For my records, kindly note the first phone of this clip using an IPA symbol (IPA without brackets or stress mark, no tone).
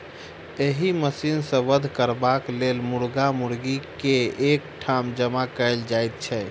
e